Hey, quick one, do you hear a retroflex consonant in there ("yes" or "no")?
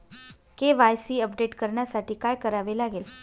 yes